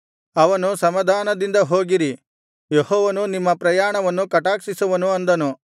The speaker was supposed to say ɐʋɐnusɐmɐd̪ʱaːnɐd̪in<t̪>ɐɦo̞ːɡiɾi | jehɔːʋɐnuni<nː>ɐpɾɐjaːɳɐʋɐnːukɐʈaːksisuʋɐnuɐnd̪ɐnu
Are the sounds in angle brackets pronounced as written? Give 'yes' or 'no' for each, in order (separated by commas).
no, no